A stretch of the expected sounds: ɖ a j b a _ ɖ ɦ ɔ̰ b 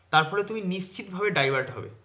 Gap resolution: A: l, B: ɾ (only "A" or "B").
B